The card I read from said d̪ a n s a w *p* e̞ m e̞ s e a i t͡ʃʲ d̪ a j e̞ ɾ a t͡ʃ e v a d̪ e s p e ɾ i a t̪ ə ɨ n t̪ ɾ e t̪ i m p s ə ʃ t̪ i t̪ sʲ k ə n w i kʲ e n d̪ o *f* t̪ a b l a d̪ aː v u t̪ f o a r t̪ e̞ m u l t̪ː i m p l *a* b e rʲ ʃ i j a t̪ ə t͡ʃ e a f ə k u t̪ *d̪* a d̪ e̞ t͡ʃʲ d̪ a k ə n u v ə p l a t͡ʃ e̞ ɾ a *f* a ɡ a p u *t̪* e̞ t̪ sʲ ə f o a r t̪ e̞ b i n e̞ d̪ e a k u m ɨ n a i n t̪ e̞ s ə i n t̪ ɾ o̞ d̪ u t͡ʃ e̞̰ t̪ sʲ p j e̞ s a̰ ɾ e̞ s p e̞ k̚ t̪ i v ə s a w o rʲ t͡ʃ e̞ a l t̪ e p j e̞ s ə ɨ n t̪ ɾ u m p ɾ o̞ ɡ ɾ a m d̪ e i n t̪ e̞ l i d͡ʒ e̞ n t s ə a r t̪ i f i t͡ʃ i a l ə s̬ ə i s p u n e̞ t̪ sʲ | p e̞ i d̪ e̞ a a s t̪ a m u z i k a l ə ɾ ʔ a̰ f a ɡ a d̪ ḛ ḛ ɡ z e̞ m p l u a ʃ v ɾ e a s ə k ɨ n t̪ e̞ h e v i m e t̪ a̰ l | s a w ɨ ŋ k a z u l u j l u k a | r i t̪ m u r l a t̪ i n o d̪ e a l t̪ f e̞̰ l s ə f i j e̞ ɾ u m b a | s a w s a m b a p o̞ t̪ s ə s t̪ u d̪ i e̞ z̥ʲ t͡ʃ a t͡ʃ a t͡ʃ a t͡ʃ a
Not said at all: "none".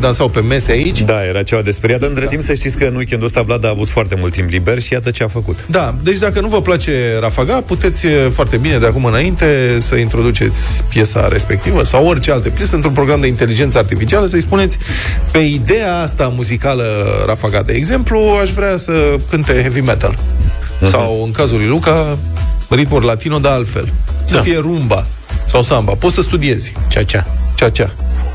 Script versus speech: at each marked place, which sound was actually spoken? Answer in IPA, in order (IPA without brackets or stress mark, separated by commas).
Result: p, s, i, d̪, f, t̪